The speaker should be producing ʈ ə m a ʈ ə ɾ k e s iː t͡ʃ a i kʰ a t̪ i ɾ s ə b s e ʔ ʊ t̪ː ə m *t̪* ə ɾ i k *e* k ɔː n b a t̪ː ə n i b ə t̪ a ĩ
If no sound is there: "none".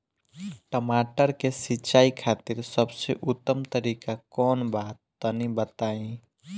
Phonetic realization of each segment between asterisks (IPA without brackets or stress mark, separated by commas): t̪, a